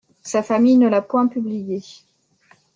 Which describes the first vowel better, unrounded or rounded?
unrounded